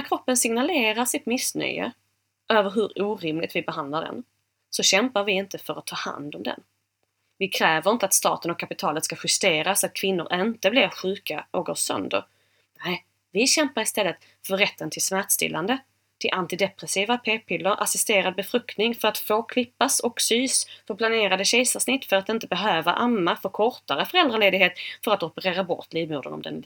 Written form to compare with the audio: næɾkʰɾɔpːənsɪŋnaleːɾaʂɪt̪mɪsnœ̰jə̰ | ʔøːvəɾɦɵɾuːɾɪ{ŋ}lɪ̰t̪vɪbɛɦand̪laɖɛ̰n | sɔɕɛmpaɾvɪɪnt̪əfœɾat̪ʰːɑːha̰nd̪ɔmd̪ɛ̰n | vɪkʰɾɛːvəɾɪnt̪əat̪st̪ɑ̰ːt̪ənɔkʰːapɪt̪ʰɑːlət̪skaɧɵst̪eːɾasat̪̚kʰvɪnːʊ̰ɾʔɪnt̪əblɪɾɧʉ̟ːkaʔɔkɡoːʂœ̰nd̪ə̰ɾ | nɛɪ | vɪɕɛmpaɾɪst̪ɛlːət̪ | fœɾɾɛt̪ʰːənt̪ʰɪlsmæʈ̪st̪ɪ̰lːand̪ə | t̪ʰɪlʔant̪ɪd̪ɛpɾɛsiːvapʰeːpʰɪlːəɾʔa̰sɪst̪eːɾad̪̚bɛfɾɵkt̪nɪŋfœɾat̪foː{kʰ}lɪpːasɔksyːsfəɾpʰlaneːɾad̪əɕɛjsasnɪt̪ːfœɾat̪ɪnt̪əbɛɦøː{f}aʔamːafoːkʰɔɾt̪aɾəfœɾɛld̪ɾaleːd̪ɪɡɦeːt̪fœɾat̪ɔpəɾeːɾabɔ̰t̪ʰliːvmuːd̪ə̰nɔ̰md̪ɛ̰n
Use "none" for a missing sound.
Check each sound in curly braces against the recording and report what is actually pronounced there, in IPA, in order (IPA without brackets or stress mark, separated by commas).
m, kʰ, v